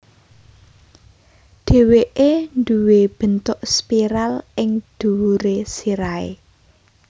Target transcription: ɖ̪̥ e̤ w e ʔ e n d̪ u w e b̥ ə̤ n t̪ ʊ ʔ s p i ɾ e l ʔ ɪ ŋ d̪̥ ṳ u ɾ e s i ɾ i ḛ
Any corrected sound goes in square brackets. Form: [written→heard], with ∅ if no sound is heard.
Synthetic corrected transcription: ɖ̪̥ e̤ w e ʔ e n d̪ u w e b̥ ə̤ n t̪ ʊ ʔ s p i ɾ [e→a] l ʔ ɪ ŋ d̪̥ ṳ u ɾ e s i ɾ [i→a] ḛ